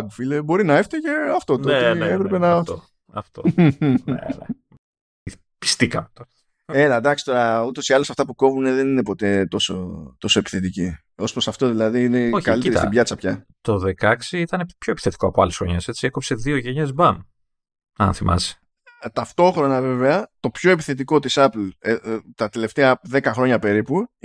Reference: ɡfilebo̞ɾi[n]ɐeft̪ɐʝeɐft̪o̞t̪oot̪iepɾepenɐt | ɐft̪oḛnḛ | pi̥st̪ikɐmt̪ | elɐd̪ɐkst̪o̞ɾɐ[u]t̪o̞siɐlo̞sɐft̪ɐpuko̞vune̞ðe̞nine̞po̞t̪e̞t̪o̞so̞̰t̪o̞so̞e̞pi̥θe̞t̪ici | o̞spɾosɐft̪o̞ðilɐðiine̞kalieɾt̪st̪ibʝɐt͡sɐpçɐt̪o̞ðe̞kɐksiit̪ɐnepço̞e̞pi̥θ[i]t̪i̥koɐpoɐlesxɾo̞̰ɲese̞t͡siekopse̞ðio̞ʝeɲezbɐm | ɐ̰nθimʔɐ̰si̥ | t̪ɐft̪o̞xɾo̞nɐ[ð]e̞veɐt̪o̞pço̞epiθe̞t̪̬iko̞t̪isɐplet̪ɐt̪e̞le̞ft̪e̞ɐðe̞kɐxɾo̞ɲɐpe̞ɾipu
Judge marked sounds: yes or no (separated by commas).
yes, yes, no, no